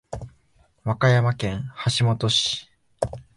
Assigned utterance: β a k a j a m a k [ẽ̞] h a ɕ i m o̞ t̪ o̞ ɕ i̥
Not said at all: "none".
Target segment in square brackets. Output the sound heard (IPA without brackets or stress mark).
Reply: ẽ̞